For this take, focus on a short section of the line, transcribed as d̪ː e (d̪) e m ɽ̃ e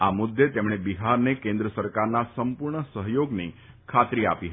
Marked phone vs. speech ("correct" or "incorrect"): incorrect